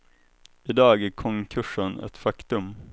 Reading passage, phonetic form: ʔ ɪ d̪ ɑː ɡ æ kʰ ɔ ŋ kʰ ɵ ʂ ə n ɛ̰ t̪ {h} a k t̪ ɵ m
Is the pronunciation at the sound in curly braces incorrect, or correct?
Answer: incorrect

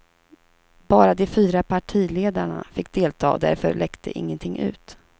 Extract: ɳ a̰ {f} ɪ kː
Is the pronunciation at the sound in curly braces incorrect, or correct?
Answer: correct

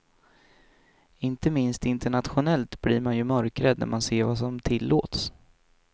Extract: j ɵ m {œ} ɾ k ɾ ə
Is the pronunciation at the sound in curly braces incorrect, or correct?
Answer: correct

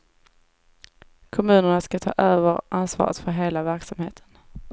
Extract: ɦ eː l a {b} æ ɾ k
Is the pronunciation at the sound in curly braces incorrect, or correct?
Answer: incorrect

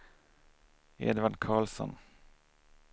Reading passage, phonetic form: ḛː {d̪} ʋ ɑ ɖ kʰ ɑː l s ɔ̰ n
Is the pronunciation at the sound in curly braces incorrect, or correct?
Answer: correct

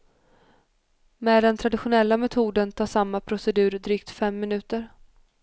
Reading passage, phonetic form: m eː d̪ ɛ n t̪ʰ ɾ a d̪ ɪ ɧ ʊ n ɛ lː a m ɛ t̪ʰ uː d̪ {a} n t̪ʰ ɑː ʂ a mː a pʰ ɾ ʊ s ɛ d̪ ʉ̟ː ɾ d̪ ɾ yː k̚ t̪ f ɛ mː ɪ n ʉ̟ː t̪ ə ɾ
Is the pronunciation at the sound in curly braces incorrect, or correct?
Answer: incorrect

